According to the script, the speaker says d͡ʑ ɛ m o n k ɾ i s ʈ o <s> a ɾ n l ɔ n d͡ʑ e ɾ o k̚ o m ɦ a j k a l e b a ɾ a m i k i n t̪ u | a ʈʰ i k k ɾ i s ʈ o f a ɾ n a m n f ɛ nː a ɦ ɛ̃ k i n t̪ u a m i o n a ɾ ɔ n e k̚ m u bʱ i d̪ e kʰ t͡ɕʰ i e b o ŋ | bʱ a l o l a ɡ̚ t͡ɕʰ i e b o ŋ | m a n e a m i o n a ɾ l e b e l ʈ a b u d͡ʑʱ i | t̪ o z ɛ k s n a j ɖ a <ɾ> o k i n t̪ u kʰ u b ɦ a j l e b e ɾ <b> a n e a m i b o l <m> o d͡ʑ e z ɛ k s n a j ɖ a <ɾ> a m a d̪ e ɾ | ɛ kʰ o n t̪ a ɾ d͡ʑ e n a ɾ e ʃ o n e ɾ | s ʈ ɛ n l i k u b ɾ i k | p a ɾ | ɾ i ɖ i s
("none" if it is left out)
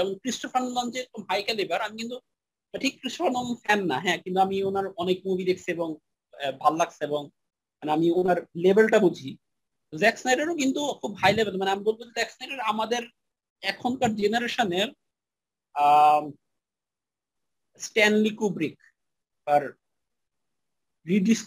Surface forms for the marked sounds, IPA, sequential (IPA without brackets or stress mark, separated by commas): f, ɾ, m, b, ɾ